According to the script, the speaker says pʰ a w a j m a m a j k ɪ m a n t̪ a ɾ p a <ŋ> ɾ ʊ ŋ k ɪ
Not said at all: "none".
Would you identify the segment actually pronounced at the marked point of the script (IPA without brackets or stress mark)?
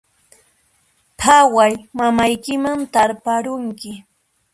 none